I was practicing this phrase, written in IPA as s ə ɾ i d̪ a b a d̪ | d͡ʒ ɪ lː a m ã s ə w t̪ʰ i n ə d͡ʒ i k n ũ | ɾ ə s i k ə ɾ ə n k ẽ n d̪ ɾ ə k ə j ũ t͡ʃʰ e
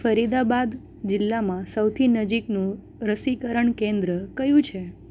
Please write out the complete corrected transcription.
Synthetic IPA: f ə ɾ i d̪ a b a d̪ | d͡ʒ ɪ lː a m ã s ə w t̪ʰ i n ə d͡ʒ i k n ũ | ɾ ə s i k ə ɾ ə ɳ k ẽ n d̪ ɾ ə k ə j ũ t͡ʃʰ e

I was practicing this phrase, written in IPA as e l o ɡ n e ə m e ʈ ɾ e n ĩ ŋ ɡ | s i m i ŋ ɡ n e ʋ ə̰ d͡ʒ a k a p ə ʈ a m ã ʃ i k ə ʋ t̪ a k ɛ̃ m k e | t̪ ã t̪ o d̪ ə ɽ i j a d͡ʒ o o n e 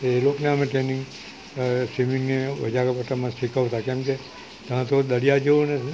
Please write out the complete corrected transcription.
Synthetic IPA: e l o k n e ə m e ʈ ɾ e n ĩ ŋ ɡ | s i m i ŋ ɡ n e ʋ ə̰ d͡ʒ a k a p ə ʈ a m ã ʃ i k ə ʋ t̪ a k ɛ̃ m k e | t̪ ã t̪ o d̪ ə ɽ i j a d͡ʒ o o n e

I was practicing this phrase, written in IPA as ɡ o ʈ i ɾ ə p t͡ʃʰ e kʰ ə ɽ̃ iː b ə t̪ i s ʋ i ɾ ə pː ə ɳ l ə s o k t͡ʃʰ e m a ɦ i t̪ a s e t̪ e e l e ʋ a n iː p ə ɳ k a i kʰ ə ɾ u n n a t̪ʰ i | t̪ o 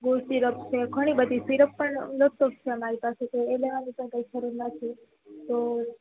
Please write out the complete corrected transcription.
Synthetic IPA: ɡ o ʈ i ɾ ə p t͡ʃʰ e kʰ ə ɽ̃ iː b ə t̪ i s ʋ i ɾ ə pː ə ɳ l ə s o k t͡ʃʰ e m a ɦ i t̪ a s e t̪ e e l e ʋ a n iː p ə ɳ k a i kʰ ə ɾ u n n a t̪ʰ i | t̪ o

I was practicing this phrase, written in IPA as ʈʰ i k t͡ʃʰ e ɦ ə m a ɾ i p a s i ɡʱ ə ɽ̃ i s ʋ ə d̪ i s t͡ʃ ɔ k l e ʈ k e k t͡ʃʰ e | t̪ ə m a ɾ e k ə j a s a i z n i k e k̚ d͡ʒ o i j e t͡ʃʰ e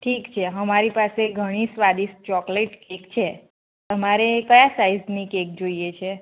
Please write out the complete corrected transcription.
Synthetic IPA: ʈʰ i k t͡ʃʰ e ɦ ə m a ɾ i p a s e ɡʱ ə ɽ̃ i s ʋ a d̪ i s t͡ʃ ɔ k l e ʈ k e k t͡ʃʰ e | t̪ ə m a ɾ e k ə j a s a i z n i k e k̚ d͡ʒ o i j e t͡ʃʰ e

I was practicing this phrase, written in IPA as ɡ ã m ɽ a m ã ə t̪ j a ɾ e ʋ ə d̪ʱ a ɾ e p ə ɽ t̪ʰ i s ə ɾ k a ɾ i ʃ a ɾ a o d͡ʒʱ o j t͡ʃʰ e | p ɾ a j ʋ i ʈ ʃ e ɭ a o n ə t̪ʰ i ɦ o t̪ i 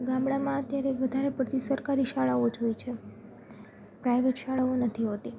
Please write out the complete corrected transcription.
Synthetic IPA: ɡ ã m ɽ a m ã ə t̪ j a ɾ e ʋ ə d̪ʱ a ɾ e p ə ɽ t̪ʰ i s ə ɾ k a ɾ i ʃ a ɭ a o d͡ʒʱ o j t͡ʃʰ e | p ɾ a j ʋ e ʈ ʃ a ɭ a o n ə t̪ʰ i ɦ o t̪ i

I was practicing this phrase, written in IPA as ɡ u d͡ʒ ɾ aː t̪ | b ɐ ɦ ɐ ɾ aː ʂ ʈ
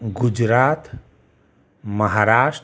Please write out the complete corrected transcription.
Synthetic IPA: ɡ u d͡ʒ ɾ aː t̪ | m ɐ ɦ a ɾ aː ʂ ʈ

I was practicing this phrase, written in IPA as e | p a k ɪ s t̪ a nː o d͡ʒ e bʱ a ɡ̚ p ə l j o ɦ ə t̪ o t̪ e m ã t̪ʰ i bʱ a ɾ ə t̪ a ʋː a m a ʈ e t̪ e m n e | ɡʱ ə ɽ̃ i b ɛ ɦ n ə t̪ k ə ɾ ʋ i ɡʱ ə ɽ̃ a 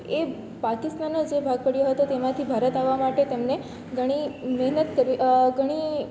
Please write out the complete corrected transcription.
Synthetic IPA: e | p a k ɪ s t̪ a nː o d͡ʒ e bʱ a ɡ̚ p ə ɽ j o ɦ ə t̪ o t̪ e m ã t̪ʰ i bʱ a ɾ ə t̪ a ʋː a m a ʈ e t̪ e m n e | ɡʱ ə ɽ̃ i m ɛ ɦ n ə t̪ k ə ɾ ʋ i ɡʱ ə ɽ̃ i

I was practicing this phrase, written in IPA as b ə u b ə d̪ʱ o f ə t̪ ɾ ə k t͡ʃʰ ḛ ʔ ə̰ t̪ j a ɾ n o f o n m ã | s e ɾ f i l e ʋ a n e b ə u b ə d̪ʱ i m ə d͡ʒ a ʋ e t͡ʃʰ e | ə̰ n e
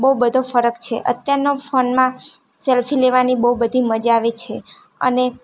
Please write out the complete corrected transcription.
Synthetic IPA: b ə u b ə d̪ʱ o f ə ɾ ə k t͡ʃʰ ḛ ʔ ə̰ t̪ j a ɾ n o f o n m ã | s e l f i l e ʋ a n i b ə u b ə d̪ʱ i m ə d͡ʒ a ʋ e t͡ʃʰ e | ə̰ n e

